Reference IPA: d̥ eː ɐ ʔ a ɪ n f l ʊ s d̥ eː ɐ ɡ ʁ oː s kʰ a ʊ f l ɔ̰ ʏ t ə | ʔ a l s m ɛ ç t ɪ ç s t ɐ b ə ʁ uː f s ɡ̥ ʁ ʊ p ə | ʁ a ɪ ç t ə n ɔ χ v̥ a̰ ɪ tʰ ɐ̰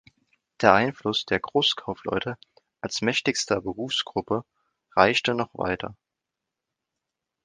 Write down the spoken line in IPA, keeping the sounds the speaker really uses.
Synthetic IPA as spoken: d̥ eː ɐ ʔ a ɪ n f l ʊ s d̥ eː ɐ ɡ ʁ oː s kʰ a ʊ f l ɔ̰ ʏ t ə | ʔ a l s m ɛ ç t ɪ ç s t ɐ b ə ʁ uː f s ɡ̥ ʁ ʊ p ə | ʁ a ɪ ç t ə n ɔ χ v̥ a̰ ɪ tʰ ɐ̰

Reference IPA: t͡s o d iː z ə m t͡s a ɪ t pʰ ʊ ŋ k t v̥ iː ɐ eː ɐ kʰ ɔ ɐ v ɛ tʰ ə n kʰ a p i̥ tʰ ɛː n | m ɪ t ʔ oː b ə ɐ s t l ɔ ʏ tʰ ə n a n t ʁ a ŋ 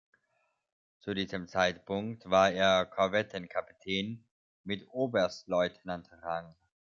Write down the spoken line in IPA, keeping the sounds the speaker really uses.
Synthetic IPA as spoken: t͡s u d iː z ə m t͡s a ɪ t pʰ ʊ ŋ k t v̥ aː ɐ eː ɐ kʰ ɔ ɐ v ɛ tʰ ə n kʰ a p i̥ tʰ ɛː n | m ɪ t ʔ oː b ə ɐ s t l ɔ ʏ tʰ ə n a n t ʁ a ŋ

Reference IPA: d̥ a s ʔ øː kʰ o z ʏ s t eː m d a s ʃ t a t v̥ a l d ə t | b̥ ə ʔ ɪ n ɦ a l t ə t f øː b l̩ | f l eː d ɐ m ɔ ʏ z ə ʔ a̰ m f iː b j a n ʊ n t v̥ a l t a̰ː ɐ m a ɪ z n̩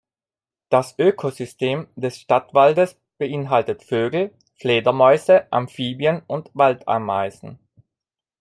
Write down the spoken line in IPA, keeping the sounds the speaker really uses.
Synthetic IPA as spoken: d̥ a s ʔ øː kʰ o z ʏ s t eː m d ɛ s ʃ t a t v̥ a l d ə s | b̥ ə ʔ ɪ n ɦ a l t ə t f øː ɡ l̩ | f l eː d ɐ m ɔ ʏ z ə ʔ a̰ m f iː b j ə n ʊ n t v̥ a l t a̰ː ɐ m a ɪ z n̩

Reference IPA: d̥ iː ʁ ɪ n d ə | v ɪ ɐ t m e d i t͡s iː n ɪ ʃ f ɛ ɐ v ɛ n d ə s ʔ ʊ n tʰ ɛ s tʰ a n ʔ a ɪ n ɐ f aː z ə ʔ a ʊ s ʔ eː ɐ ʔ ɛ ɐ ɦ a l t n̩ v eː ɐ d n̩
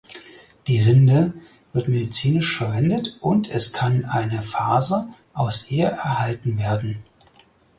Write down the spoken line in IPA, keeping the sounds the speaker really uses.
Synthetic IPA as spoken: d̥ iː ʁ ɪ n d ə | v ɪ ɐ t m e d i t͡s iː n ɪ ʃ f ɛ ɐ v ɛ n d ə t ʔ ʊ n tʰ ɛ s kʰ a n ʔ a ɪ n ə f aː z ə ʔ a ʊ s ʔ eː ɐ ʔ ɛ ɐ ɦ a l t n̩ v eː ɐ d n̩

